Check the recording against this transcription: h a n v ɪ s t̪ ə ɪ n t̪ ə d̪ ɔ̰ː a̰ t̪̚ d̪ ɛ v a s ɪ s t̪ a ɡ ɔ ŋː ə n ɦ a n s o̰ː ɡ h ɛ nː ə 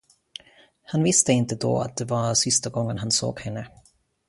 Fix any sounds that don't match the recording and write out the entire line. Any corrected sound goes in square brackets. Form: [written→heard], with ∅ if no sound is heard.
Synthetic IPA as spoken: h a n v ɪ s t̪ ə ɪ n t̪ ə d̪ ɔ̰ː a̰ t̪̚ d̪ ɛ v a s ɪ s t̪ a ɡ ɔ ŋː ə n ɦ a n s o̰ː ɡ h ɛ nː ə